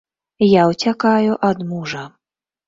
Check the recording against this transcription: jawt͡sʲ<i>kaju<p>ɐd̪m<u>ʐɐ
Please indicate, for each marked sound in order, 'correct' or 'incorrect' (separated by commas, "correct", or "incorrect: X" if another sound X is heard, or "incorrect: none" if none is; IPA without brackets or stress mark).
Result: incorrect: a, incorrect: ʔ, correct